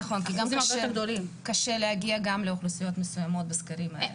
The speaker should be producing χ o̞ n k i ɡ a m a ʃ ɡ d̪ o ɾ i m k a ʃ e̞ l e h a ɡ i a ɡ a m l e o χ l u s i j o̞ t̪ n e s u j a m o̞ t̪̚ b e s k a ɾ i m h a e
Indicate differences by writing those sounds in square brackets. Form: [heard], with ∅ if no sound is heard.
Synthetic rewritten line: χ o̞ n k i ɡ a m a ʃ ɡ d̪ o [l] i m k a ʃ e̞ l e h a ɡ i a ɡ a m l e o χ l u s i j o̞ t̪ [m] e s u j a m o̞ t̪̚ b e s k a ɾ i m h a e